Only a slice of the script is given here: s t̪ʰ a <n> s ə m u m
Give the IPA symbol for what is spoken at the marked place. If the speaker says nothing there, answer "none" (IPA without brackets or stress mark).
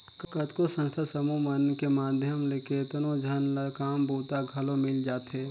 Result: none